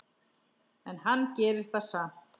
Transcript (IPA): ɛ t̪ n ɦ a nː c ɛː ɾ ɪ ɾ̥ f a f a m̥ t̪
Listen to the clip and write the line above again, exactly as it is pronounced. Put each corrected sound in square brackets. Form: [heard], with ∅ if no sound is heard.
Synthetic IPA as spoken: ɛ [∅] n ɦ a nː c ɛː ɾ ɪ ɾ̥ [θ] a [s] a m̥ t̪